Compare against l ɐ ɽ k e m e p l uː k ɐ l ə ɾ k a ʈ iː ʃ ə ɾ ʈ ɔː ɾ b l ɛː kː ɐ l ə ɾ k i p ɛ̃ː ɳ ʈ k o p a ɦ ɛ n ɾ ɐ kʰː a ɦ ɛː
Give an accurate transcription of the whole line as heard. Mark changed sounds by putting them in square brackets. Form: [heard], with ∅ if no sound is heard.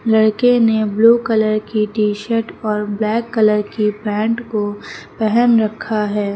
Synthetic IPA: l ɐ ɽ k e [n] e [b] l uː k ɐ l ə ɾ k [i] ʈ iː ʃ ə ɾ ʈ ɔː ɾ b l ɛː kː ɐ l ə ɾ k i p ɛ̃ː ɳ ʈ k o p [ɛ] ɦ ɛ n ɾ ɐ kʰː a ɦ ɛː